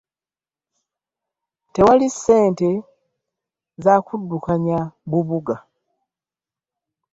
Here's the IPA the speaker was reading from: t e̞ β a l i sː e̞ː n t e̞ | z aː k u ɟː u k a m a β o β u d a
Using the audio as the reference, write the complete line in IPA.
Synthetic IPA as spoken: t e̞ w a l i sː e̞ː n t e̞ | z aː k u dː u k a ɲ a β u β u ɡ a